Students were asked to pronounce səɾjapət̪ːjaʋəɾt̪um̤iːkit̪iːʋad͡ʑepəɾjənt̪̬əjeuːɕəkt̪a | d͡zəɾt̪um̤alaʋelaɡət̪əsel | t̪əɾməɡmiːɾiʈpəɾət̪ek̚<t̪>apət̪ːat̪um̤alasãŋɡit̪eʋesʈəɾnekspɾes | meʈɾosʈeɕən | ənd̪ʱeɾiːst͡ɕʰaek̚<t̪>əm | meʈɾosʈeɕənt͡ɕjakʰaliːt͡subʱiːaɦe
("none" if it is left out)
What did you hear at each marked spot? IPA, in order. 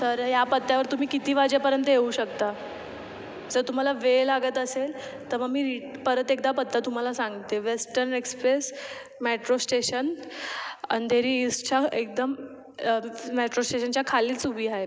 d̪, d̪

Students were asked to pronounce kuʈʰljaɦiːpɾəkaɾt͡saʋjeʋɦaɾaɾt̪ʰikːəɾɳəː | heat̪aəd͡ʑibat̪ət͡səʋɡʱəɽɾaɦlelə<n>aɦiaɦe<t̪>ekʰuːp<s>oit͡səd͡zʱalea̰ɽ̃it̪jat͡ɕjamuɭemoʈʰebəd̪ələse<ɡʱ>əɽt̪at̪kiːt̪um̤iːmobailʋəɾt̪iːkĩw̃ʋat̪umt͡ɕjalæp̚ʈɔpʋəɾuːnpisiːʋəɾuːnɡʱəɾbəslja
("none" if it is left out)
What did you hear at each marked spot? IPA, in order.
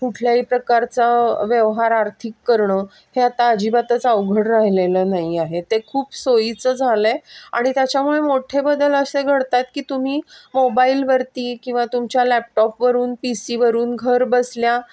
n, t̪, s, ɡʱ

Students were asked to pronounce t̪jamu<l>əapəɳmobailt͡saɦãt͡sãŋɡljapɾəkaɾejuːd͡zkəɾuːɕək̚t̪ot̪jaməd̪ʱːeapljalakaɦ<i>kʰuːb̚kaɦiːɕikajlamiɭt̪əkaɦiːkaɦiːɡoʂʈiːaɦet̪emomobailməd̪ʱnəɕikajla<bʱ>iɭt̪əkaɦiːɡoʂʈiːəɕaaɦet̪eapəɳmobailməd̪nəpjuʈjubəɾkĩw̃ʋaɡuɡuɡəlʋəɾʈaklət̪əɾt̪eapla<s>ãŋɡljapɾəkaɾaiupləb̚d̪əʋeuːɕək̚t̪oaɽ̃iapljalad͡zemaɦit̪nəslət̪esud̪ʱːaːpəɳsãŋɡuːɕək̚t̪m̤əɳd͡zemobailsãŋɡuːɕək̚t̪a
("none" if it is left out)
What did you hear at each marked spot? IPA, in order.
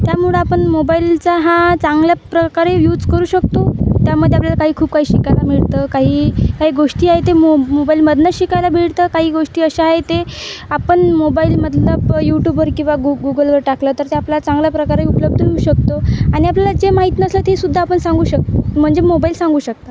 ɭ, iː, bʱ, t͡s

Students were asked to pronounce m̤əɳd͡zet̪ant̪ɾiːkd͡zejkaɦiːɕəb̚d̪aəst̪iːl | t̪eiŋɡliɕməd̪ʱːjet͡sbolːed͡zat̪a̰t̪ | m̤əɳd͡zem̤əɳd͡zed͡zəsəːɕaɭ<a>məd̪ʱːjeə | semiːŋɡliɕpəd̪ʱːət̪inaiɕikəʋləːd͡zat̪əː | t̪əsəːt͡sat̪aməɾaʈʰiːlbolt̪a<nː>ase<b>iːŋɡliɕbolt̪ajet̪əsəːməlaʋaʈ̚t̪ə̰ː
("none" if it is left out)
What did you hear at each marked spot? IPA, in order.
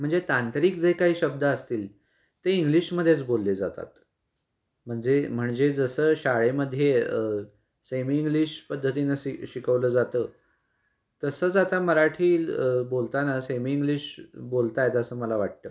e, n, m

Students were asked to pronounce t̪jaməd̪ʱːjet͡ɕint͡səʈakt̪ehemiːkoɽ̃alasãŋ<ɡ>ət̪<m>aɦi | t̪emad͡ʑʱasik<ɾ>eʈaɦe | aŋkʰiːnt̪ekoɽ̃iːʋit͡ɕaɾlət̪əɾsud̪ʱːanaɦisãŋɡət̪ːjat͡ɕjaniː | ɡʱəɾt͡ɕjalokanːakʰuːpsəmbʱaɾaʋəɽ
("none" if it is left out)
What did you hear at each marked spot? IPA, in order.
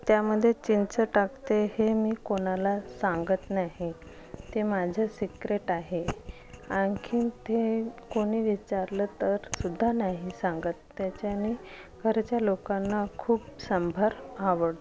ɡ, n, ɾ

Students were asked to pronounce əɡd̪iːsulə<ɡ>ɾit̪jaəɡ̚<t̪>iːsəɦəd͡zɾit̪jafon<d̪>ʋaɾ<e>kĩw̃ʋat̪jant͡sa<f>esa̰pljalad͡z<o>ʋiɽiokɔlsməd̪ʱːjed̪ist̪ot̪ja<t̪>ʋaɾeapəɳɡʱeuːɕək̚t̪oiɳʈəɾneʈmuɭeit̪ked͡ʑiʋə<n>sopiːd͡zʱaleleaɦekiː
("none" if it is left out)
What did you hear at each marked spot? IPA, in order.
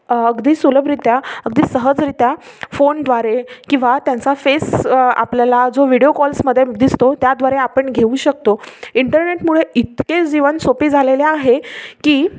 b, d̪, d̪, e, f, o, d̪, n

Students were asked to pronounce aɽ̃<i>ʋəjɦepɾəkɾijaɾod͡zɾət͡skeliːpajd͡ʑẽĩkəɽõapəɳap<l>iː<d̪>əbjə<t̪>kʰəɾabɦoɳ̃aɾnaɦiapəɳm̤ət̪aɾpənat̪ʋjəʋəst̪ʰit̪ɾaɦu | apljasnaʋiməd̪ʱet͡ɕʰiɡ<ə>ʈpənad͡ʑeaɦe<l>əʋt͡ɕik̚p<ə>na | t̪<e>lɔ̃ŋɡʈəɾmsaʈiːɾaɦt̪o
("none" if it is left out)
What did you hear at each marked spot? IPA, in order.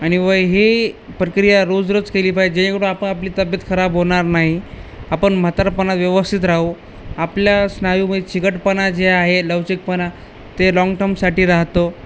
i, l, t̪, t̪, ə, l, ə, e

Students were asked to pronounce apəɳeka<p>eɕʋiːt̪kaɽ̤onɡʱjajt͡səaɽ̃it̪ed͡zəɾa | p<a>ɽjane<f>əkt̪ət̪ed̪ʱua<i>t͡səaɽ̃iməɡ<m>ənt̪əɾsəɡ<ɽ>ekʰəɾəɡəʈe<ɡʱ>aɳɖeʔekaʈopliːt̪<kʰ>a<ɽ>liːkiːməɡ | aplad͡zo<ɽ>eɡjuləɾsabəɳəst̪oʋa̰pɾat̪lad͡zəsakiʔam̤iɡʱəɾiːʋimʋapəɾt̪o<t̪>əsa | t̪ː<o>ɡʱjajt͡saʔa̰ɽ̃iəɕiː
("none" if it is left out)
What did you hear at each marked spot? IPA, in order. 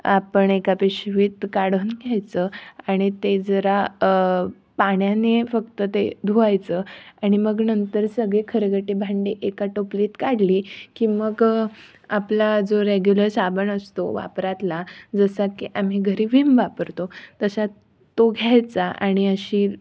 p, a, f, j, n, ɭ, bʱ, k, ɽ, ɾ, t̪, o

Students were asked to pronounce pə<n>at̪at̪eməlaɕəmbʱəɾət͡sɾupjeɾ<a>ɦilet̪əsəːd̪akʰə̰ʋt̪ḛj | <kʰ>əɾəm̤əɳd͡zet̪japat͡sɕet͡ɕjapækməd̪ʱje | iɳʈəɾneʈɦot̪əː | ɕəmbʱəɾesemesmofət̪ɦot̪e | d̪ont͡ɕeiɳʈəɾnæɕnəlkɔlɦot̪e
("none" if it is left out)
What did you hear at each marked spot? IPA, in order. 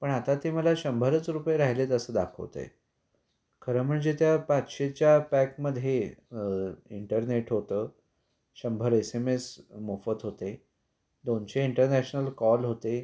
ɳ, a, kʰ

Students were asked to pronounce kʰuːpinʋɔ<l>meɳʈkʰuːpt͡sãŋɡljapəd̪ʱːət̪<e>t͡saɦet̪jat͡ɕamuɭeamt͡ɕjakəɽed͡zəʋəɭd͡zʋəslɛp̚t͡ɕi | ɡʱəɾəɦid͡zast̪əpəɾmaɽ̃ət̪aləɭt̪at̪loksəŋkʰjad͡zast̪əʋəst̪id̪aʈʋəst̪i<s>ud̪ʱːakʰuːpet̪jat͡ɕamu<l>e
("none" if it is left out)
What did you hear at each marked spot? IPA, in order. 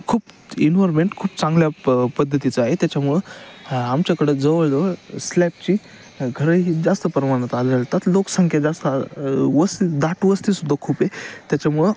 ɾ, i, s, ɭ

